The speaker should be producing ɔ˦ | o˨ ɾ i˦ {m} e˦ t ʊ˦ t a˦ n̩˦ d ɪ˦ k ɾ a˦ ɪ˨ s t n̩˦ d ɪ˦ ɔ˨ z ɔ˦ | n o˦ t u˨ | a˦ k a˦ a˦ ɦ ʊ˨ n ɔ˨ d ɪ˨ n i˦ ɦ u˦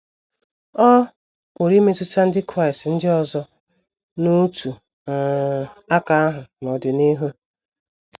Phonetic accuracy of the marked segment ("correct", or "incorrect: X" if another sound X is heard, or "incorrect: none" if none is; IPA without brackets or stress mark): correct